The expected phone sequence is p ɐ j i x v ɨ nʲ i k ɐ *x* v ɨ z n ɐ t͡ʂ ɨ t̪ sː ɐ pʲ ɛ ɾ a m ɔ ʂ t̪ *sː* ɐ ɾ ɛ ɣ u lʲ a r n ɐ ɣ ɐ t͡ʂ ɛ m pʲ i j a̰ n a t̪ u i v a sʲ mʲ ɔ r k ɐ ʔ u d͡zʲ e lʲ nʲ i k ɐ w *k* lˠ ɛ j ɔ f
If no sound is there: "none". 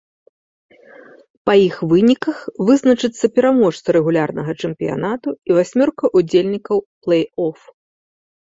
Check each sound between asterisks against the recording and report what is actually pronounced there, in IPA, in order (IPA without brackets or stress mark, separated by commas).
x, s, p